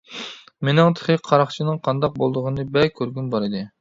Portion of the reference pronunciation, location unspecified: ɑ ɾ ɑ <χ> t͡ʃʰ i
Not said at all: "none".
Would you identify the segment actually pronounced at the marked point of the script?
χ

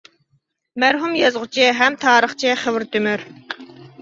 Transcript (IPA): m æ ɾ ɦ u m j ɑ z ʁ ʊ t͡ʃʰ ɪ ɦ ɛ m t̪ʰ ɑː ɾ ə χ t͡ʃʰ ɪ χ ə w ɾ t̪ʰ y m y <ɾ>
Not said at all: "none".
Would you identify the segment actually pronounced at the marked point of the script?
ɾ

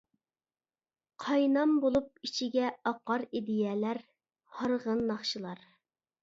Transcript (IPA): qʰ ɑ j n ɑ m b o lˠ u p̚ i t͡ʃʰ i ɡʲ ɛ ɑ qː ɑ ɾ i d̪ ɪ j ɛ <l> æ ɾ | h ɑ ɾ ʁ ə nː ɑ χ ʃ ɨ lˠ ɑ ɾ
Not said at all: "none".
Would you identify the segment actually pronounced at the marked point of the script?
l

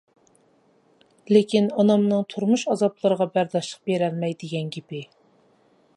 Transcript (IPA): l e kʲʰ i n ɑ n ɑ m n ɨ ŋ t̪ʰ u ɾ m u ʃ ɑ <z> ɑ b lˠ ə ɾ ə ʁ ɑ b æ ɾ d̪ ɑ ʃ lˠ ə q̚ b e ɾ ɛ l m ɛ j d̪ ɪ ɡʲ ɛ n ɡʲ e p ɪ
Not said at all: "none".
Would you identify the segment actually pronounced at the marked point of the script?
z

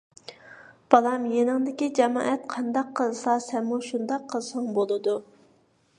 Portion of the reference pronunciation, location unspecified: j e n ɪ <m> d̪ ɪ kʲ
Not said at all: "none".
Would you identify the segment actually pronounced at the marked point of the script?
ŋ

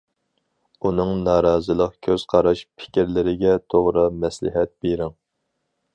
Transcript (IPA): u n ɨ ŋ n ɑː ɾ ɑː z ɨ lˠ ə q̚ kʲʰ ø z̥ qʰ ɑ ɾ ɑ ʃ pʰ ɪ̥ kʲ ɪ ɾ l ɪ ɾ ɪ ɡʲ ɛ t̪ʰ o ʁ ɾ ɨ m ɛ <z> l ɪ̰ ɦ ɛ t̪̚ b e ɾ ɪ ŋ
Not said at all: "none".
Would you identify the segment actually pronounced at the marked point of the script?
s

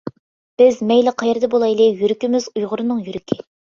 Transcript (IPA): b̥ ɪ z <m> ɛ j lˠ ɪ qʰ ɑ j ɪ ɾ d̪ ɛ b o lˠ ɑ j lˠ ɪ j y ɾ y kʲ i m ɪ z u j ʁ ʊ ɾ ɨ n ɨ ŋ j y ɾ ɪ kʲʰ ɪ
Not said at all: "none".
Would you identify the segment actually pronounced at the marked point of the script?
m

